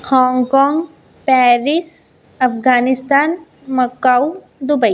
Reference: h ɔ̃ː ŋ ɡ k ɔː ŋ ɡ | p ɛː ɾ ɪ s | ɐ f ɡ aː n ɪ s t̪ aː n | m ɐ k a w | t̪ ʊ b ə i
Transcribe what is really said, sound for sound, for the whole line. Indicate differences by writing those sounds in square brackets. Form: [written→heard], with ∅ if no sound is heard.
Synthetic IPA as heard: h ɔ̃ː ŋ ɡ k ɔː ŋ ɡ | p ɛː ɾ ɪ s | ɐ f ɡ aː n ɪ s t̪ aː n | m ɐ k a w | [t̪→d̪] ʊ b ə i